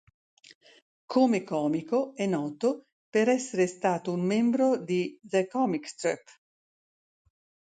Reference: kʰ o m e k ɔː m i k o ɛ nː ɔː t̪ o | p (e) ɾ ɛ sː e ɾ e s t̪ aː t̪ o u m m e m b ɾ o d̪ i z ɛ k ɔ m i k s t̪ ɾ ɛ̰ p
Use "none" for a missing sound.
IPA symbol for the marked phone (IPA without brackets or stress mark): e